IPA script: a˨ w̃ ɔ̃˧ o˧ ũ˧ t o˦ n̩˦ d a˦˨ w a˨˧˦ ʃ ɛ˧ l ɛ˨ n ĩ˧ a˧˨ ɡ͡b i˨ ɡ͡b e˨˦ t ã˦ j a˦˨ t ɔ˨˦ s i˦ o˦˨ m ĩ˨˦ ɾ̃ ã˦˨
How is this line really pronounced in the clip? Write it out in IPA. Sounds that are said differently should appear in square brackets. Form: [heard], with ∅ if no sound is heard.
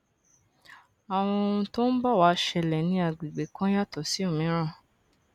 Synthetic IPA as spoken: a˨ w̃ ɔ̃˧ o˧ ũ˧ t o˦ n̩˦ [b] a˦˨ w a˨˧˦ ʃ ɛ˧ l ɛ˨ n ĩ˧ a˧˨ ɡ͡b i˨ ɡ͡b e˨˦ [k] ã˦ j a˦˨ t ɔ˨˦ s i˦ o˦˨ m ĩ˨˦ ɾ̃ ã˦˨